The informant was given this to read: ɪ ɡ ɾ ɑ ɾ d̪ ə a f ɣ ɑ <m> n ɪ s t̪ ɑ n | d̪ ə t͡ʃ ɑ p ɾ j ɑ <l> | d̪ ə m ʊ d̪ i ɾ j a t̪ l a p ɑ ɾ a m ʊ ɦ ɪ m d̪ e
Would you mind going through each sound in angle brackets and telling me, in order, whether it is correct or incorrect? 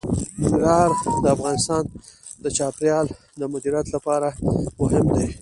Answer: incorrect, correct

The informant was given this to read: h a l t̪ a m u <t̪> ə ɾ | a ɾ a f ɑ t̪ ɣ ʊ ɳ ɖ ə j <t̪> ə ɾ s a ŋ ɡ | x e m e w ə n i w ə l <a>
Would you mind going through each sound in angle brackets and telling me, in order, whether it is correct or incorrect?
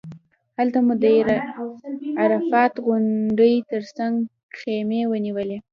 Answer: incorrect, correct, incorrect

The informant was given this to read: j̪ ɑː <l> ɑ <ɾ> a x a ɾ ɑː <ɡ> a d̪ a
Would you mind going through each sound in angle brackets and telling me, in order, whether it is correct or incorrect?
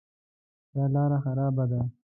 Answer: correct, correct, incorrect

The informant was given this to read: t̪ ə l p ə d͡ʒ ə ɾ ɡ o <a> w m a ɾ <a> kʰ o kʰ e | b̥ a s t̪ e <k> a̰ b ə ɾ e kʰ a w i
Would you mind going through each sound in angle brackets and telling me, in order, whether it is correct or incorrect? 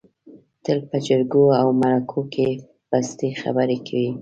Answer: correct, correct, incorrect

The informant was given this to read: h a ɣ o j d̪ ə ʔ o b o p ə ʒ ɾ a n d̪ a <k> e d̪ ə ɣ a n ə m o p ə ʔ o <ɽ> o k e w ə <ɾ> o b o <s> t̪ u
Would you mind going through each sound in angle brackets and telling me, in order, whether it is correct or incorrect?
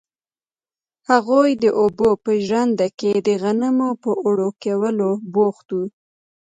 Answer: correct, correct, incorrect, incorrect

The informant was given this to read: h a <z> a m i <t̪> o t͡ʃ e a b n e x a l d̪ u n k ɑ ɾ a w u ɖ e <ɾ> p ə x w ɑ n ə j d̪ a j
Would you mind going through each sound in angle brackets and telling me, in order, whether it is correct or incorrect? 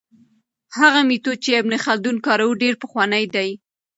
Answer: incorrect, correct, correct

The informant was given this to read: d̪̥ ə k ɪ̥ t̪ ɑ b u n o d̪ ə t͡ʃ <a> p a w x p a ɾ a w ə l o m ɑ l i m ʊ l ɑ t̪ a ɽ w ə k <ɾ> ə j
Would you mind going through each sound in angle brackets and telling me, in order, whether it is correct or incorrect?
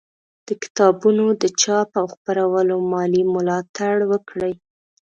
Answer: incorrect, incorrect

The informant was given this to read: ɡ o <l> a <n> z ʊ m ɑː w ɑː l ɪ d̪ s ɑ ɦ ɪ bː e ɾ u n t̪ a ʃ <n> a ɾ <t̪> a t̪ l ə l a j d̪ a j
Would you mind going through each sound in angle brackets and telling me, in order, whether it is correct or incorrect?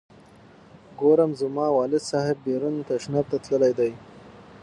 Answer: incorrect, incorrect, correct, correct

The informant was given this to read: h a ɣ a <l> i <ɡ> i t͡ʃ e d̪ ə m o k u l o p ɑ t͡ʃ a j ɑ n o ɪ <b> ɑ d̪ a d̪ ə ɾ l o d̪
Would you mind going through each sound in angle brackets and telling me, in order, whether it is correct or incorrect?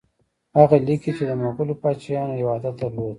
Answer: correct, incorrect, incorrect

